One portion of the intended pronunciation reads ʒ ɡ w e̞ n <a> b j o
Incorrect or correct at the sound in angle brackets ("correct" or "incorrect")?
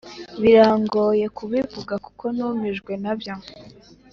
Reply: correct